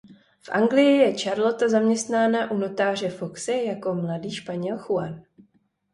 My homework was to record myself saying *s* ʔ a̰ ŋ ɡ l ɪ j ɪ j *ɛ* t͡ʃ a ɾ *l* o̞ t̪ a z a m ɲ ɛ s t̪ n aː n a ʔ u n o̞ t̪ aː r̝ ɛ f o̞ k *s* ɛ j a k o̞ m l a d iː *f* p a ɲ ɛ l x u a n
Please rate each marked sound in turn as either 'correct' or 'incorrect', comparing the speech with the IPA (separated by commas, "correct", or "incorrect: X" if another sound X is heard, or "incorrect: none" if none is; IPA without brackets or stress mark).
incorrect: f, correct, correct, correct, incorrect: ʃ